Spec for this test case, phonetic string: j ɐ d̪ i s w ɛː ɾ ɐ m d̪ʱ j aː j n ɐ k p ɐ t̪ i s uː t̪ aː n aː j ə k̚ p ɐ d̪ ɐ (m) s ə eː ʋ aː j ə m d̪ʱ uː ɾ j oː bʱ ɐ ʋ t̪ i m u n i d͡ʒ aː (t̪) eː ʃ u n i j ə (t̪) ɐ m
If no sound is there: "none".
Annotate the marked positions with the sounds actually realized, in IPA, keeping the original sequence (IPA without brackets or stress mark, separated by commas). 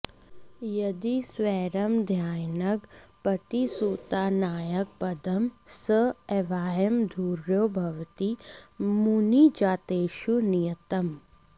m, t̪, t̪